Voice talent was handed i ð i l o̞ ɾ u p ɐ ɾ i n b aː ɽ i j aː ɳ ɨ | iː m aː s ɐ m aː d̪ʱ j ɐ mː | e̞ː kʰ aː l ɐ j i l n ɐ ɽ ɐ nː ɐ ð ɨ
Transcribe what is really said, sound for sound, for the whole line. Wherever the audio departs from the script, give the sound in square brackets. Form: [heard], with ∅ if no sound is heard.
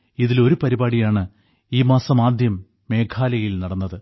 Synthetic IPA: i ð i l o̞ ɾ u p ɐ ɾ i [∅] b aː ɽ i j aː ɳ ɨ | iː m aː s ɐ m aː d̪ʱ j ɐ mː | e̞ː kʰ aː l ɐ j i l n ɐ ɽ ɐ nː ɐ ð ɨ